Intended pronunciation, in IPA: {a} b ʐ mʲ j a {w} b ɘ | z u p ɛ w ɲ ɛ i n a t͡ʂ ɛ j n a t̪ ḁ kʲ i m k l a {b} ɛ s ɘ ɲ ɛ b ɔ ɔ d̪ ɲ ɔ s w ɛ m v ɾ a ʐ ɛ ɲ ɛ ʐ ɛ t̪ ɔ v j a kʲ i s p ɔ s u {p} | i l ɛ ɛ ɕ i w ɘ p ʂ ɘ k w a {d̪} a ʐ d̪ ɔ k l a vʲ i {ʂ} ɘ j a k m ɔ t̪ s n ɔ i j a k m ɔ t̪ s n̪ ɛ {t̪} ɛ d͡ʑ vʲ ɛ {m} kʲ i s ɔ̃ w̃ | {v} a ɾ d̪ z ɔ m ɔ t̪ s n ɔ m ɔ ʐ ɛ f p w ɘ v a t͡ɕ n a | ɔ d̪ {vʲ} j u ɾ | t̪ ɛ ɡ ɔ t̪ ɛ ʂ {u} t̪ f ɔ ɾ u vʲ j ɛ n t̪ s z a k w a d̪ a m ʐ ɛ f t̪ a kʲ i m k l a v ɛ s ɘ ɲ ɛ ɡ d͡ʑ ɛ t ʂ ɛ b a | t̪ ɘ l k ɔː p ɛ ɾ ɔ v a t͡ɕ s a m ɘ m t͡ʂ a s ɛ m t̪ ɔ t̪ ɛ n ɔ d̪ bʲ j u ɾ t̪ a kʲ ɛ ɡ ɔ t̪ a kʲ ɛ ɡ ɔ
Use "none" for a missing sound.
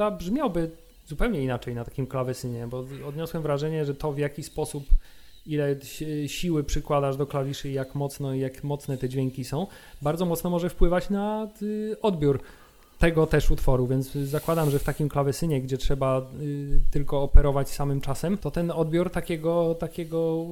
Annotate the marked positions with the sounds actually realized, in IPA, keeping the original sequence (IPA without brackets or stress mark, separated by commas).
a, w, v, p, d̪, ʂ, t̪, ŋ, b, bʲ, u